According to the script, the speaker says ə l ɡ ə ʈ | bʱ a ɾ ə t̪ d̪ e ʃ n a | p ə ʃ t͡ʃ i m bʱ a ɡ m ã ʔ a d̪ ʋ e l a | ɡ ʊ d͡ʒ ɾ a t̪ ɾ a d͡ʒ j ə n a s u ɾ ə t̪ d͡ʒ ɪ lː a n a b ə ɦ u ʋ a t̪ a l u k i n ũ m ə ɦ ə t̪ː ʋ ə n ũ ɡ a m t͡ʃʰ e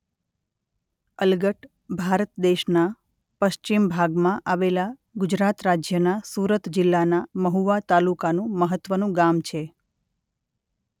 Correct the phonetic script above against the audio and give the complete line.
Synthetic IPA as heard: ə l ɡ ə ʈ | bʱ a ɾ ə t̪ d̪ e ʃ n a | p ə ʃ t͡ʃ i m bʱ a ɡ m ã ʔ a ʋ e l a | ɡ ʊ d͡ʒ ɾ a t̪ ɾ a d͡ʒ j ə n a s u ɾ ə t̪ d͡ʒ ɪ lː a n a m ə ɦ u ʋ a t̪ a l u k a n ũ m ə ɦ ə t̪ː ʋ ə n ũ ɡ a m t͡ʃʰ e